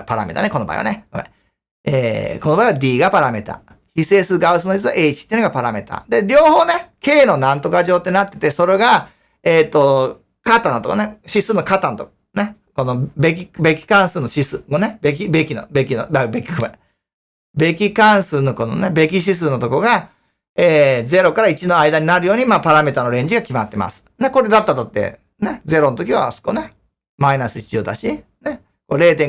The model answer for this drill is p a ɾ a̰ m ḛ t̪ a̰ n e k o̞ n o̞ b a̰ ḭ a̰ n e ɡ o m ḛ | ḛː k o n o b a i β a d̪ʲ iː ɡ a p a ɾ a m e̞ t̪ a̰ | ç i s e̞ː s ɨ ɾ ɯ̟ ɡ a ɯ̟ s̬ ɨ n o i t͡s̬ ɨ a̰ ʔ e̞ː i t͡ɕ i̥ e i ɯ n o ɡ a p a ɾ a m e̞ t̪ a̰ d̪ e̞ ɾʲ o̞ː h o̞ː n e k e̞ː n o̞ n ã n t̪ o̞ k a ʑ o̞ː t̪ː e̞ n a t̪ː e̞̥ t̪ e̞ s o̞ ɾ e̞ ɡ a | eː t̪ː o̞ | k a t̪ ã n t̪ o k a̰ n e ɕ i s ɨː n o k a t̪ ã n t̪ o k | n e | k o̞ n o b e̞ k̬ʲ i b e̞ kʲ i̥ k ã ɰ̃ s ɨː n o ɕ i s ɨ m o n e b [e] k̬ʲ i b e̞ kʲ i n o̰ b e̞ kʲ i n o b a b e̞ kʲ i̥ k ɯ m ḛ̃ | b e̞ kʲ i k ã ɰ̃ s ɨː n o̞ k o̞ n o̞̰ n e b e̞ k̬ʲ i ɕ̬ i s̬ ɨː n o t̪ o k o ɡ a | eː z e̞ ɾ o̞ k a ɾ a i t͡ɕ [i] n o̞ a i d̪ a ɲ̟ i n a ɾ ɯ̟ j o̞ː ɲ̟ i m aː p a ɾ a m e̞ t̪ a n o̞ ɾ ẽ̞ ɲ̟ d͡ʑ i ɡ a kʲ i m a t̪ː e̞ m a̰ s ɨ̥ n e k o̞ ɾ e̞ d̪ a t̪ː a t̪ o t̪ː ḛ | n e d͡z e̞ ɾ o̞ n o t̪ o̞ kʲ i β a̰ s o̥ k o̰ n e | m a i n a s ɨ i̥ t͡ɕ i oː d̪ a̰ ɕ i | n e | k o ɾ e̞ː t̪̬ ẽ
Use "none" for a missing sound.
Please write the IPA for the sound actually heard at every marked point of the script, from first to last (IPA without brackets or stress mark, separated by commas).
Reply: e, i